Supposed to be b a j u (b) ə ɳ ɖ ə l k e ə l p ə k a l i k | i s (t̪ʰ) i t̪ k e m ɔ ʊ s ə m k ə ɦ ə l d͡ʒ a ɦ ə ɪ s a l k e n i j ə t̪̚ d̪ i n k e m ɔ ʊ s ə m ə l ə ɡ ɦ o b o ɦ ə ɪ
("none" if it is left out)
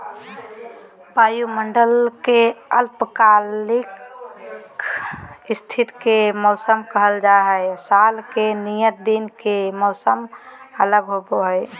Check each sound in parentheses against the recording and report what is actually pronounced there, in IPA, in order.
m, t̪ʰ

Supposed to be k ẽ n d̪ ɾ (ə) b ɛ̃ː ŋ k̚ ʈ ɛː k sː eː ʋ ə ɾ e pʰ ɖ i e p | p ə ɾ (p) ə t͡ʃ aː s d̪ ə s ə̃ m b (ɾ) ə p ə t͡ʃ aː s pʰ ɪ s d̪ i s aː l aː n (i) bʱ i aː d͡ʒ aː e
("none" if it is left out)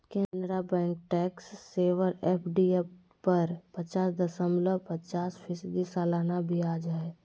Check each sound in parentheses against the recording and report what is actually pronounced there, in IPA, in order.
a, p, l, a

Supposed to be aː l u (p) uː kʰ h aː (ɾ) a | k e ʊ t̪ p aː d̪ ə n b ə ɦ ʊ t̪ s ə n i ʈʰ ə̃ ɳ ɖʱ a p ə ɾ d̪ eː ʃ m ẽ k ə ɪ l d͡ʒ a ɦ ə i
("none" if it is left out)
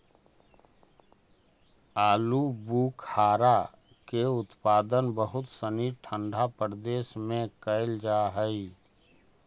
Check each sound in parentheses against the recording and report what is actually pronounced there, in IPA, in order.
b, ɾ

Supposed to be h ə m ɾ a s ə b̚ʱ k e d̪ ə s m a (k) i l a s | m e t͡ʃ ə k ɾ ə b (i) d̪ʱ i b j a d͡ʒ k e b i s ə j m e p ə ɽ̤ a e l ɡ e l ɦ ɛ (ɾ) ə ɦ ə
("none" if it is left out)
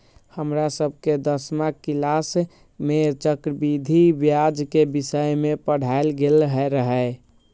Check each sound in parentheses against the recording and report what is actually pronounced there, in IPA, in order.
k, i, ɾ

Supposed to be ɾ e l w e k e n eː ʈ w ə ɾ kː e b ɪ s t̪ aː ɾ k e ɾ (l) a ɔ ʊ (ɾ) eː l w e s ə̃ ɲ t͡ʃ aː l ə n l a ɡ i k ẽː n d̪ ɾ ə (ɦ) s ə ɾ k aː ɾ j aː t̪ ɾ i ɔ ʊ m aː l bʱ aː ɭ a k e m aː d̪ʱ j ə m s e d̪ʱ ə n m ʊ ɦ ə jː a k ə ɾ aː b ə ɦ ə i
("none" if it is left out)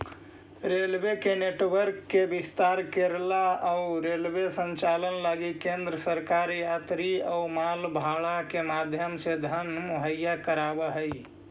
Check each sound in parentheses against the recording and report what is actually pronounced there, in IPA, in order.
l, ɾ, none

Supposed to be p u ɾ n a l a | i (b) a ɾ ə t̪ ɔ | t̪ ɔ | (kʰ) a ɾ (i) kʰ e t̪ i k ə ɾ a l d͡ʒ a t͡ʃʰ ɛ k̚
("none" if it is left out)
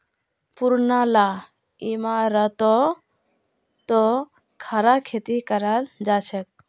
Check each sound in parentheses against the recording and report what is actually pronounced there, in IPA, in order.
m, kʰ, a

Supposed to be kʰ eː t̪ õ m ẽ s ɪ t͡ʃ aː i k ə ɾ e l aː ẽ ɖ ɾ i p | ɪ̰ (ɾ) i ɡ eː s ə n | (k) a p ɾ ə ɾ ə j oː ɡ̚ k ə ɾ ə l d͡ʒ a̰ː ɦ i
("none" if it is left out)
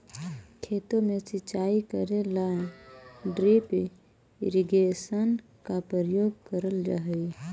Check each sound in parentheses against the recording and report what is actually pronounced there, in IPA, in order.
ɾ, k

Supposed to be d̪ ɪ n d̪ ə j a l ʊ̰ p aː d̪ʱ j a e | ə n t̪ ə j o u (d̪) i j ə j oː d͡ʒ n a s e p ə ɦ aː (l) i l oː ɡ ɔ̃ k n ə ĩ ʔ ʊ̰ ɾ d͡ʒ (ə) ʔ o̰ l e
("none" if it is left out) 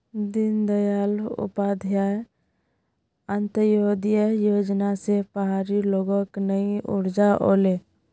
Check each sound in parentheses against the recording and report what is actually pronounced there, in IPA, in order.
d̪, ɾ, a

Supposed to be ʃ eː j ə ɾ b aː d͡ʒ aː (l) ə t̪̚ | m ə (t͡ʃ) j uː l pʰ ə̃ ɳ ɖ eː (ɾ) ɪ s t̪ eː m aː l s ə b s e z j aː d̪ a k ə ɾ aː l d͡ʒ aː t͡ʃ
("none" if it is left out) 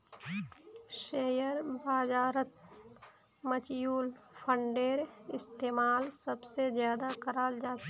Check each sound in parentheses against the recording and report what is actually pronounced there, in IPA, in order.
ɾ, t͡ʃ, ɾ

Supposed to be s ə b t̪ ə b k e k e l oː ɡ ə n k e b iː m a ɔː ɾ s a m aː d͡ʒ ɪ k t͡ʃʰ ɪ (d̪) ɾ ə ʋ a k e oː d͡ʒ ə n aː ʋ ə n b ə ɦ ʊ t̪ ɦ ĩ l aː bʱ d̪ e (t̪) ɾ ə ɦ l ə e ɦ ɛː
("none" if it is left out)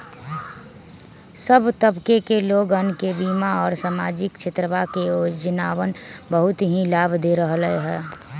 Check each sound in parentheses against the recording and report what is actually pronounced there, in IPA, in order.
t̪, none

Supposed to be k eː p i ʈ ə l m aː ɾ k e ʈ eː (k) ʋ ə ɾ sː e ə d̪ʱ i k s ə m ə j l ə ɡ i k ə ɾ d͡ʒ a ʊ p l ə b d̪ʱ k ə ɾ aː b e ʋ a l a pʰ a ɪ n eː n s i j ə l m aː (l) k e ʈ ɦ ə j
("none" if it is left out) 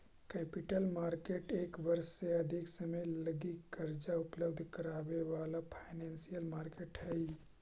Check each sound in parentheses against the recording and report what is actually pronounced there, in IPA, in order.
k, ɾ

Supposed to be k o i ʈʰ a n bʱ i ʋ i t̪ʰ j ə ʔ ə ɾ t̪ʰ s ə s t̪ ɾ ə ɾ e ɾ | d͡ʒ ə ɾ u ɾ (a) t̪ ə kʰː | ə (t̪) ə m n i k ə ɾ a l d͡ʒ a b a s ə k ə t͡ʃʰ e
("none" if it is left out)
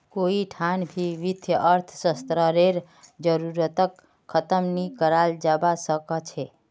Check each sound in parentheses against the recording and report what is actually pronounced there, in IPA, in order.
ə, t̪

